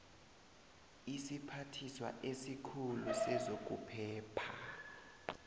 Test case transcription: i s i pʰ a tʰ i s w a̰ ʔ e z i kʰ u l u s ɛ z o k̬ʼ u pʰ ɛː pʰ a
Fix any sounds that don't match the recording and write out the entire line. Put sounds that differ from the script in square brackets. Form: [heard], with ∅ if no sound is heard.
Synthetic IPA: i s i pʰ a tʰ i s w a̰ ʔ e [s] i kʰ u l u s ɛ z o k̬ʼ u pʰ ɛː pʰ a